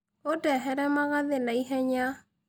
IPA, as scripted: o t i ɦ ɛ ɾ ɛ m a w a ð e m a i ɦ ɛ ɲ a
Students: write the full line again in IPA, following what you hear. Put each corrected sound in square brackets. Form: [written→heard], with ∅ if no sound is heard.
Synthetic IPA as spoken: o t [i→ɛ] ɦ ɛ ɾ ɛ m a [w→ɣ] a ð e [m→n] a i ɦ ɛ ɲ a